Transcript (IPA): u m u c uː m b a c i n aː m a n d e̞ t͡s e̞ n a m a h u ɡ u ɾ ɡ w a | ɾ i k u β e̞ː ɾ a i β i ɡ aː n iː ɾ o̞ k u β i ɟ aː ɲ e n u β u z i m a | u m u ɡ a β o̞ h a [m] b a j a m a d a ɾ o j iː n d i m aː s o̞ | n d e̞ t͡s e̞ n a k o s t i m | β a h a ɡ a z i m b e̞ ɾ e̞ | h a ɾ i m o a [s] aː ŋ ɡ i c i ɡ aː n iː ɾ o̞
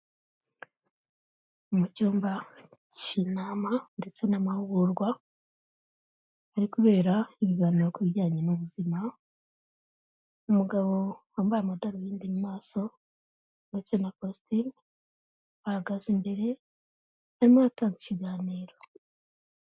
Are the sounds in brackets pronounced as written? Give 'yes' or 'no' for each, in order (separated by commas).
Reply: yes, no